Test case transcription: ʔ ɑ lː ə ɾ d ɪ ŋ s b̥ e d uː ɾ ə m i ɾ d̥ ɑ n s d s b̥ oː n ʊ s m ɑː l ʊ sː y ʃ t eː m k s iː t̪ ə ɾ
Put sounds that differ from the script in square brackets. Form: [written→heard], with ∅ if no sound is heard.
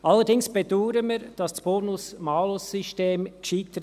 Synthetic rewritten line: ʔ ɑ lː ə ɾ d ɪ ŋ s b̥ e d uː ɾ ə m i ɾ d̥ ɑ [n→∅] s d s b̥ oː n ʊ s m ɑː l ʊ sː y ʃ t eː m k [s→ʃ] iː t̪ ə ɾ